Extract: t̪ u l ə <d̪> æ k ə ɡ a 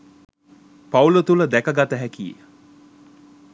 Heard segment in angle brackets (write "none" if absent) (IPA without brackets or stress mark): d̪